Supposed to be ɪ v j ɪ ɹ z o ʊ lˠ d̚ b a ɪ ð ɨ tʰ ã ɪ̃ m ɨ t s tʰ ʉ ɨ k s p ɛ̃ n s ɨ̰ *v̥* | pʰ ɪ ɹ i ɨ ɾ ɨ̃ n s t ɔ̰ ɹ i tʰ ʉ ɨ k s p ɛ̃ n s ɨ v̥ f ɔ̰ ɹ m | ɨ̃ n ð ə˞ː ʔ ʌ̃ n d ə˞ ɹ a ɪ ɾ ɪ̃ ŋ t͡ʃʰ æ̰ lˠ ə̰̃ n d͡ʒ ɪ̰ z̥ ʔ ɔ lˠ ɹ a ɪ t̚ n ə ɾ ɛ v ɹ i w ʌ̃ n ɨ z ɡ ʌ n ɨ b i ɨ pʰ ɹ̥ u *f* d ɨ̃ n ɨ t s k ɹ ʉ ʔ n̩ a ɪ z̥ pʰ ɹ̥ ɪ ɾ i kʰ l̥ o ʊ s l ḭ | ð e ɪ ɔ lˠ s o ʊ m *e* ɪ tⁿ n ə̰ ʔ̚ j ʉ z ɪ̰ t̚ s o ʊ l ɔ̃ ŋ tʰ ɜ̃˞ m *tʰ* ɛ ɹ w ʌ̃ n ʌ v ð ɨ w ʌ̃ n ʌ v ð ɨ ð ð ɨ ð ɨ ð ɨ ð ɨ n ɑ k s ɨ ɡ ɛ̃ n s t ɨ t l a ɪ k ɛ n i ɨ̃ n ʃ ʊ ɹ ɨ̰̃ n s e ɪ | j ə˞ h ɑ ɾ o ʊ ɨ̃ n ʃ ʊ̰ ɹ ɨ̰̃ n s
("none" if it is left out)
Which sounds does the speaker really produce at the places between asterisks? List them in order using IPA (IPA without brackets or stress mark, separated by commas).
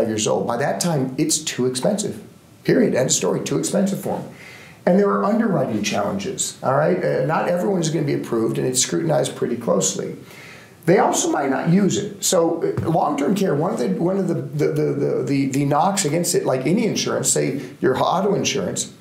v̥, v, a, kʰ